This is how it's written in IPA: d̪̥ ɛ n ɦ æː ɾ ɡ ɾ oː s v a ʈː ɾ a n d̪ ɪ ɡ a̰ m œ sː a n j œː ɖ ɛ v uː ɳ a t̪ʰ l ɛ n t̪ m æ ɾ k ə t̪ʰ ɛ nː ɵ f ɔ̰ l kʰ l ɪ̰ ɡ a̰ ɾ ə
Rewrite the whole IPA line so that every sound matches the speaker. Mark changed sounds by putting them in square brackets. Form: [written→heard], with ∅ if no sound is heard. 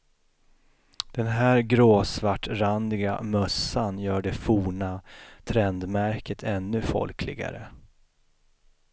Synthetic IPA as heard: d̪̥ ɛ n ɦ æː ɾ ɡ ɾ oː s v a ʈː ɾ a n d̪ ɪ ɡ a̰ m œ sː a n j œː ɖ ɛ [v→f] uː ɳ a t̪ʰ [l→ɾ] ɛ n [t̪→d̪] m æ ɾ k ə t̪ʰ ɛ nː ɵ f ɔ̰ l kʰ l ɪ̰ ɡ a̰ ɾ ə